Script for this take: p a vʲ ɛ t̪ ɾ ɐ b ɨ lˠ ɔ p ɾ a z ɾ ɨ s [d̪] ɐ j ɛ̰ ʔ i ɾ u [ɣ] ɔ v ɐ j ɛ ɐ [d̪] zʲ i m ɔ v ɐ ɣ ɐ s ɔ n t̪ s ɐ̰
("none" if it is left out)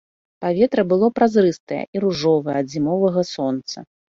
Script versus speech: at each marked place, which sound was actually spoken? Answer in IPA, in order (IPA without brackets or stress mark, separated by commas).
t̪, ʐ, d̪